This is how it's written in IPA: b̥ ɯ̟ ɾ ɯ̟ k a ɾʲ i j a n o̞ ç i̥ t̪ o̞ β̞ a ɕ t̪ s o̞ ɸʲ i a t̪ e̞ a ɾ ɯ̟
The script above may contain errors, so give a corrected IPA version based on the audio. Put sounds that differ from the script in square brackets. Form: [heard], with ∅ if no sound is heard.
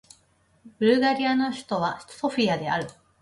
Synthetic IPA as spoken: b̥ ɯ̟ ɾ ɯ̟ [ɡ] a ɾʲ i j a n o̞ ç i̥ t̪ o̞ β̞ a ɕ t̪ s o̞ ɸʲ i a [d̪] e̞ a ɾ ɯ̟